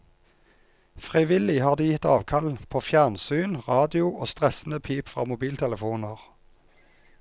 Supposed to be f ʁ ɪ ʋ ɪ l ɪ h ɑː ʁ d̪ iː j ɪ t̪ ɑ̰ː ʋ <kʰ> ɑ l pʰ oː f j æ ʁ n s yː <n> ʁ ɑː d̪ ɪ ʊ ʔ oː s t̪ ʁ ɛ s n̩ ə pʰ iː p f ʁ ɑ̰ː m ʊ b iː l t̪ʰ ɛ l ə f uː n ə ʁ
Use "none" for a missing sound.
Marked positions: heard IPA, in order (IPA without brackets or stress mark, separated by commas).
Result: kʰ, n